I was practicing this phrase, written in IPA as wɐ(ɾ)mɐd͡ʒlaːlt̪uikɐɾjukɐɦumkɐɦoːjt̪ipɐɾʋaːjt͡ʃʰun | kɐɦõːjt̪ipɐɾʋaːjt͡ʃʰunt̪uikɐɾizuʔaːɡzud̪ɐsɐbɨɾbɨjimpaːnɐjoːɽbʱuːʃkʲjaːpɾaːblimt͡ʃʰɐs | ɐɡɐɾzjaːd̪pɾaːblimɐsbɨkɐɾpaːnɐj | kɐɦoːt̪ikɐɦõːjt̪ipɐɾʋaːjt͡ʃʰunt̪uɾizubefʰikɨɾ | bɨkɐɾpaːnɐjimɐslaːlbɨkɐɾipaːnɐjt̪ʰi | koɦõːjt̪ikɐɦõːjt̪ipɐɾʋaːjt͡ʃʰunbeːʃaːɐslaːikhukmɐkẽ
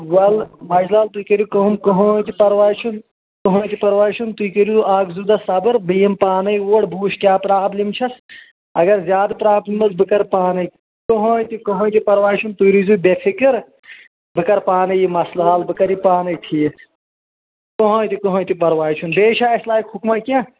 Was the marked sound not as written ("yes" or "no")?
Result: yes